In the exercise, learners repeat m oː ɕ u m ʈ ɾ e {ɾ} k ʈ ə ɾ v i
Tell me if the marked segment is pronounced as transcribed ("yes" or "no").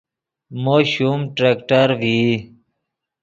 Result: no